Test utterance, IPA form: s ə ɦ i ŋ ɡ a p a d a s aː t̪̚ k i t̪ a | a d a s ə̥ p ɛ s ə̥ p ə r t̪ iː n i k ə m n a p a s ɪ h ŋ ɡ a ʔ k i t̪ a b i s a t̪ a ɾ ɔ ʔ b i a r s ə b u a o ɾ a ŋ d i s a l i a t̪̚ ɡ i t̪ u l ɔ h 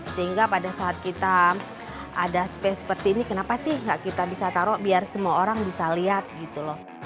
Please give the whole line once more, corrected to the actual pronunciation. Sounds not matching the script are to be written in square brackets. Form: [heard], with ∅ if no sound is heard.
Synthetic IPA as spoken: s ə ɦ i ŋ ɡ a p a d a s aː t̪̚ k i t̪ a | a d a s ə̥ p ɛ s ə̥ p ə r t̪ iː n i k ə [∅] n a p a s ɪ h ŋ ɡ a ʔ k i t̪ a b i s a t̪ a ɾ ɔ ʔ b i a r s ə [m] u a o ɾ a ŋ [b] i s a l i a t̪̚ ɡ i t̪ u l ɔ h